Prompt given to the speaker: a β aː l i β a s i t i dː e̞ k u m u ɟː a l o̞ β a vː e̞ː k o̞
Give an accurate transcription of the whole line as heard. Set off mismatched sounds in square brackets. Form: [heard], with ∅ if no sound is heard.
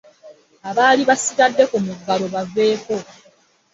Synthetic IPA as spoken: a β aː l i β a s i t [a] dː e̞ k u m u [ɡː] a l o̞ β a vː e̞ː k o̞